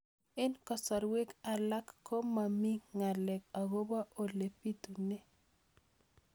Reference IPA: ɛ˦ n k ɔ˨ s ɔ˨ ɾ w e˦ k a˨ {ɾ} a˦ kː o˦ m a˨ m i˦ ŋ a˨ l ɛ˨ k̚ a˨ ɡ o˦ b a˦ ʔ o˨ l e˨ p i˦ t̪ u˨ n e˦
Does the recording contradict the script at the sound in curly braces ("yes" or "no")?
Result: yes